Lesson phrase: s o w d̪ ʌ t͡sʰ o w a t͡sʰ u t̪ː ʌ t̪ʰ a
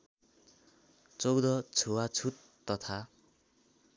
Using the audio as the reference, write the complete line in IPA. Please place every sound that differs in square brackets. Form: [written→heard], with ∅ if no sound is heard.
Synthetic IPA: [s→t͡s] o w d̪ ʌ t͡sʰ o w a t͡sʰ u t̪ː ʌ t̪ʰ a